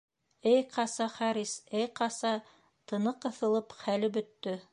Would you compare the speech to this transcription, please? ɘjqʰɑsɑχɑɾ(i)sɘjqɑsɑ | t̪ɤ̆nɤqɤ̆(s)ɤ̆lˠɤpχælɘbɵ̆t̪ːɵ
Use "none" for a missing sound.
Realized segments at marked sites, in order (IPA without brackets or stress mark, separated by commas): i, θ